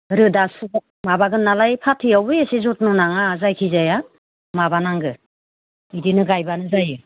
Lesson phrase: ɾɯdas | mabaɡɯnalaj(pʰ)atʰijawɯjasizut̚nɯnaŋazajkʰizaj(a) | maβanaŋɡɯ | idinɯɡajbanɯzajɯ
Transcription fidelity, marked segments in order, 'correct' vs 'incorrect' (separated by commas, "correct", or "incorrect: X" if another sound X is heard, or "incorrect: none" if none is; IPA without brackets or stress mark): correct, correct